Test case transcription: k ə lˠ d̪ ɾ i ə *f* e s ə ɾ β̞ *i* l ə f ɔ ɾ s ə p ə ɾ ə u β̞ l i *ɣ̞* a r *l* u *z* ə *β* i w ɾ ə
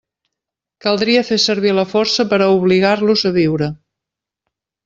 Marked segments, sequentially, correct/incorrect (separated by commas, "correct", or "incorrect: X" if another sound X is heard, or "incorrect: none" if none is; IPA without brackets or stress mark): correct, correct, correct, correct, correct, correct